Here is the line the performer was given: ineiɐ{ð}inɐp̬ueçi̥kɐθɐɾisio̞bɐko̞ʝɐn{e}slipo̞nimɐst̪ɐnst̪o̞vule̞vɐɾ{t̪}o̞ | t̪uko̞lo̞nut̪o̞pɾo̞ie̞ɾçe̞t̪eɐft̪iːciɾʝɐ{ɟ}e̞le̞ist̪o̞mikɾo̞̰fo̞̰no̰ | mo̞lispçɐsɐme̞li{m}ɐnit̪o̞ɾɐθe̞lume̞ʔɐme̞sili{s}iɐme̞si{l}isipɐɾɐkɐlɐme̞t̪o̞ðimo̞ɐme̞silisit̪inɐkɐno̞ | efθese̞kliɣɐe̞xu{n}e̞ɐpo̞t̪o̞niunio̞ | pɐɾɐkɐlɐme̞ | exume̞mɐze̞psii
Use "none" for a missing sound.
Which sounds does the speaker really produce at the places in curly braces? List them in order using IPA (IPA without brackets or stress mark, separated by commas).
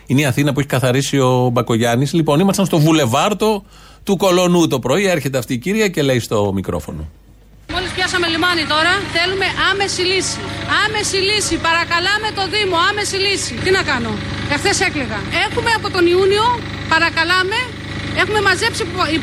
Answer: θ, i, t̪, c, m, s, l, m